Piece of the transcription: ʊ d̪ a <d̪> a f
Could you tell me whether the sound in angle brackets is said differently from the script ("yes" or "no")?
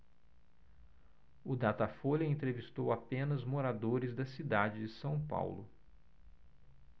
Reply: yes